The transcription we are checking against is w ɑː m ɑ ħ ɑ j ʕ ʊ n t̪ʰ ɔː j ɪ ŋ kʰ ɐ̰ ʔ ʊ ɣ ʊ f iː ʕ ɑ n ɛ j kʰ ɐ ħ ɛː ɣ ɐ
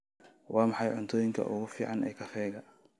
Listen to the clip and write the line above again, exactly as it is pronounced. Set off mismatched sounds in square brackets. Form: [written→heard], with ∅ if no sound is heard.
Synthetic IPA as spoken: w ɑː m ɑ ħ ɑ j ʕ ʊ n t̪ʰ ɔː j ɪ ŋ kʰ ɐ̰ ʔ ʊ ɣ ʊ f iː ʕ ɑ n ɛ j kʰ ɐ [ħ→f] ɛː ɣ ɐ